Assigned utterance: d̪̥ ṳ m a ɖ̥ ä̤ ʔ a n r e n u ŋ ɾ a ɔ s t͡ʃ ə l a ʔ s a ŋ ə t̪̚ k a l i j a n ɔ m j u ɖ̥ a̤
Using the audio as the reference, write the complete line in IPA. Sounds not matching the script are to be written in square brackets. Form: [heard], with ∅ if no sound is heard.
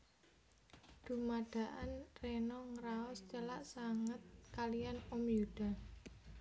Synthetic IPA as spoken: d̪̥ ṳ m a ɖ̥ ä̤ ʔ a n r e n [ɔ] ŋ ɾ a ɔ s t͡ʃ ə l a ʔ s a ŋ ə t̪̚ k a l i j a n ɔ m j u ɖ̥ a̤